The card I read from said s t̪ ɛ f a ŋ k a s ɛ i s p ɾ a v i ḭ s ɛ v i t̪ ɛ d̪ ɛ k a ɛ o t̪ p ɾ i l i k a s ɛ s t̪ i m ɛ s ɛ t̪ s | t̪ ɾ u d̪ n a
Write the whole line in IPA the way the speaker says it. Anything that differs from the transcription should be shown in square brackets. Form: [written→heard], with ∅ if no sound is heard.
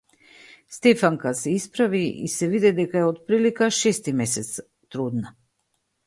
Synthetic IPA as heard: s t̪ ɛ f a ŋ k a s ɛ i s p ɾ a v i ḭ s ɛ v i [t̪→d̪] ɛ d̪ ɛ k a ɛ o t̪ p ɾ i l i k a [s→ʃ] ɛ s t̪ i m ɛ s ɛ t̪ s | t̪ ɾ u d̪ n a